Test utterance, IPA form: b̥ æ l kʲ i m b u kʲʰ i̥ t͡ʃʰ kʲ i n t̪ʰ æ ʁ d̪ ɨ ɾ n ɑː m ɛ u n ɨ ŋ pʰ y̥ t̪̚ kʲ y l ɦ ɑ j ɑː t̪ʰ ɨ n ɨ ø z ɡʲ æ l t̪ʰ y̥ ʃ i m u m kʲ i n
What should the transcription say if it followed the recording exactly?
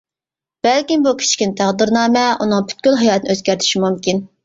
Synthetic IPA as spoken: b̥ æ l kʲ i m b u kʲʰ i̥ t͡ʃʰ kʲ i n t̪ʰ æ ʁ d̪ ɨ ɾ n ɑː m ɛ u n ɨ ŋ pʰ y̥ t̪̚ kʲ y l ɦ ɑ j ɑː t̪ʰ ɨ n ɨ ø z ɡʲ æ ɾ t̪ʰ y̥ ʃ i m u m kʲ i n